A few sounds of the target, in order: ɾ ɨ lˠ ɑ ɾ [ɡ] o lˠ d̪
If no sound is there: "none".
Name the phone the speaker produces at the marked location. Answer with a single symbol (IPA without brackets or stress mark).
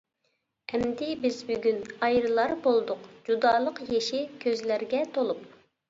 b